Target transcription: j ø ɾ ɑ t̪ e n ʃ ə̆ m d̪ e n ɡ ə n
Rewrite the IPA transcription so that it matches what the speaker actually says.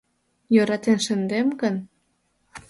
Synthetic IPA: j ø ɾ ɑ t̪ e n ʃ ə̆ n d̪ e m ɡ ə n